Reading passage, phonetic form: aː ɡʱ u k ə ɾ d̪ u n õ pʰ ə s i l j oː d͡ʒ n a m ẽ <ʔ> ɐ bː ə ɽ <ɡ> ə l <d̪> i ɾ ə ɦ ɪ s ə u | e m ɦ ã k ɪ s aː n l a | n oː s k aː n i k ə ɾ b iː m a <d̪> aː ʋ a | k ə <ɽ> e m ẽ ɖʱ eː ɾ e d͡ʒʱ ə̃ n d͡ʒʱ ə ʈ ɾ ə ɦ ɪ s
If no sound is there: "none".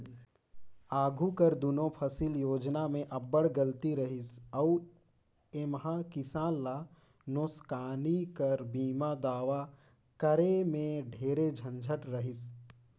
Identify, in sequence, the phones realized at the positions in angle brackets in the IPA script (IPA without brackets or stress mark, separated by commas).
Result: ʔ, ɡ, t̪, d̪, ɾ